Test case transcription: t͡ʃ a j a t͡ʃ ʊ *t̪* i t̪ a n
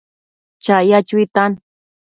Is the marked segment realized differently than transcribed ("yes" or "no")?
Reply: yes